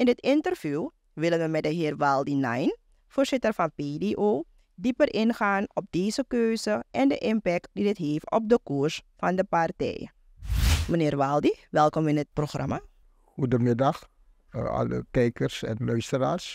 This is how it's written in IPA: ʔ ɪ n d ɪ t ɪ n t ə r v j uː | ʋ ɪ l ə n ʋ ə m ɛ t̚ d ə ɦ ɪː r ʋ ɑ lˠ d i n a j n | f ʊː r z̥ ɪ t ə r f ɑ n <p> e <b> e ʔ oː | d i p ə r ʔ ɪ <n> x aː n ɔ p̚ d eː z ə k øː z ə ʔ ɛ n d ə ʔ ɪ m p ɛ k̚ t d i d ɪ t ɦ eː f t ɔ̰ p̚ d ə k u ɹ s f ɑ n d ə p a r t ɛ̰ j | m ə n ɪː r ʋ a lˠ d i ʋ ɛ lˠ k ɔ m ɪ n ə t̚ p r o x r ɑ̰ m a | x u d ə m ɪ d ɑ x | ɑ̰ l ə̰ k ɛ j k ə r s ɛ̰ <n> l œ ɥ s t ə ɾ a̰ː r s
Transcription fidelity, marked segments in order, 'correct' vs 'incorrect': correct, incorrect, correct, correct

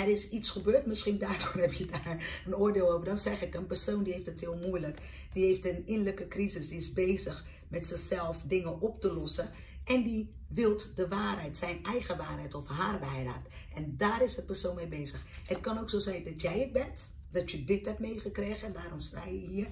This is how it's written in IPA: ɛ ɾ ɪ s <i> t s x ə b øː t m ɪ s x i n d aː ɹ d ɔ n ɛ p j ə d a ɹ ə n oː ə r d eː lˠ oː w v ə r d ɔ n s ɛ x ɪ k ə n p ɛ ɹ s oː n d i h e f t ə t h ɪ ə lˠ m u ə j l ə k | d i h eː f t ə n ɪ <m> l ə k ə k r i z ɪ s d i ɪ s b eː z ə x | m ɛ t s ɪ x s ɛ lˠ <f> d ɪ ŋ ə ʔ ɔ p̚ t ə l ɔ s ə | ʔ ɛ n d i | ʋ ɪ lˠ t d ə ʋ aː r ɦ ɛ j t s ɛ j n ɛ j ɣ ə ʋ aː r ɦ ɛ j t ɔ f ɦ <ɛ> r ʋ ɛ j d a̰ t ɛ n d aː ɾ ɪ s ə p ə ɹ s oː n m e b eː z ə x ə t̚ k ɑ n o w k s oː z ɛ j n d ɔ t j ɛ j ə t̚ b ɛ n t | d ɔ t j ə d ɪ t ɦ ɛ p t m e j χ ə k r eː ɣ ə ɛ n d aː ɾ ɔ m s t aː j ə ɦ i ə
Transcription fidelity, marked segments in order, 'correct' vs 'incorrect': correct, incorrect, correct, incorrect

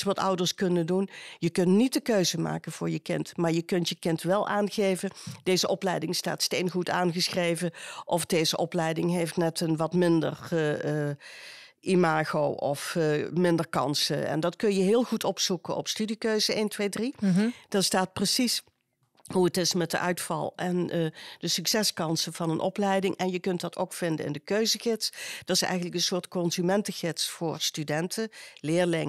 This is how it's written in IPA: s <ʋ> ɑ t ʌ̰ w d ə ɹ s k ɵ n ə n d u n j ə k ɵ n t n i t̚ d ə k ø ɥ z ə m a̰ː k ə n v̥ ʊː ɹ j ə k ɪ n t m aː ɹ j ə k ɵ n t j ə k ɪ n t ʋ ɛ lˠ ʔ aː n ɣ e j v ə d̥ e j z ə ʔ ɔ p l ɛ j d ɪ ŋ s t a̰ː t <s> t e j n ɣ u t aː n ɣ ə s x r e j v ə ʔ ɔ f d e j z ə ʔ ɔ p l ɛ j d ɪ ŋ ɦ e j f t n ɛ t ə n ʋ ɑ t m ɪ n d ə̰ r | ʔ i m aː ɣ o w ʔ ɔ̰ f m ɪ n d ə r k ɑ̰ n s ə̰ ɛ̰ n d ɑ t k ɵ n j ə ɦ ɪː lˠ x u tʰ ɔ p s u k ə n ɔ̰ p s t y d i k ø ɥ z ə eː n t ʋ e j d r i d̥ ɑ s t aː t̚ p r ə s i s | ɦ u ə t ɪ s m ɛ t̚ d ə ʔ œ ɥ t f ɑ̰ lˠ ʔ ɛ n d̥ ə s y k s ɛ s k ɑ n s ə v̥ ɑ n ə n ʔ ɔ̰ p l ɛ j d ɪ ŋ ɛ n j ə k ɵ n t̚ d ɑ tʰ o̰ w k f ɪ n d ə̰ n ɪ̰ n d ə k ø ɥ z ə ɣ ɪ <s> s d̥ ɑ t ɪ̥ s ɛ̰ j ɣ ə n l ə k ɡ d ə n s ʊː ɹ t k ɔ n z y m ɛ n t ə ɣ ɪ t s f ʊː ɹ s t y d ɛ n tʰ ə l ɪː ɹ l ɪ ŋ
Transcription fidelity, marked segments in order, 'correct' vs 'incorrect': correct, correct, incorrect

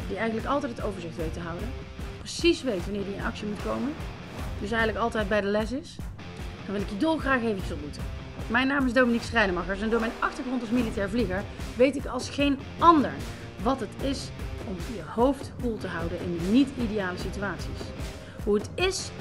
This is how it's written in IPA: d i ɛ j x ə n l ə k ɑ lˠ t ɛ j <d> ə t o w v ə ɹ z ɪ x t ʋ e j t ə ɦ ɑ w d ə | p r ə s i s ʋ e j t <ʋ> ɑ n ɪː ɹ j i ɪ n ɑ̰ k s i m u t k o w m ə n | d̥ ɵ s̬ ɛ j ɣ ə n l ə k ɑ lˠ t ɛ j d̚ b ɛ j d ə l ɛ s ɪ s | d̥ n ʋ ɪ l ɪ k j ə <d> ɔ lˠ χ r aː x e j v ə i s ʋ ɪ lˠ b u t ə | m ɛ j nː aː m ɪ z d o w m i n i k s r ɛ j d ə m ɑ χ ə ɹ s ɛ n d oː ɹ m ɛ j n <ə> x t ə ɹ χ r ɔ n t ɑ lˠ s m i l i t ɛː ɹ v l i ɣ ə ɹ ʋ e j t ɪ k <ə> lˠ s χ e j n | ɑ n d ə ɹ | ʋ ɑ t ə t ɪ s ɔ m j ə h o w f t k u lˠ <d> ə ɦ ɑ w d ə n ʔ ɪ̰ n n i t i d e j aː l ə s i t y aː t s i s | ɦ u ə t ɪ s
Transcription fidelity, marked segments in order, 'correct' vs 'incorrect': incorrect, correct, correct, incorrect, incorrect, incorrect

